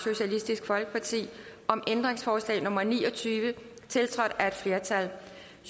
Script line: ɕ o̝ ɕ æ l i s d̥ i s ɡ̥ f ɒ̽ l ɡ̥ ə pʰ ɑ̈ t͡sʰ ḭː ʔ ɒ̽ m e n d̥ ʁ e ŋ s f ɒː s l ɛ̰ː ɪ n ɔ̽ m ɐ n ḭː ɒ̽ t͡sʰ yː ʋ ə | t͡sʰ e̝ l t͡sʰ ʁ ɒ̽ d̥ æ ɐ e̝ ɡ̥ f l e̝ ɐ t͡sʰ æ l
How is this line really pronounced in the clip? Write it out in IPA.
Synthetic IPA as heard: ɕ o̝ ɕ æ l i s d̥ i s ɡ̥ f ɒ̽ l ɡ̥ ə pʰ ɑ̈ t͡sʰ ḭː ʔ ɒ̽ m e n d̥ ʁ e ŋ s f ɒː s l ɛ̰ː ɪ n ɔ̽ m ɐ n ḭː ɒ̽ t͡sʰ yː ʋ ə | t͡sʰ e̝ l t͡sʰ ʁ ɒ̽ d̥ æ ɐ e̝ d̥ f l e̝ ɐ t͡sʰ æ l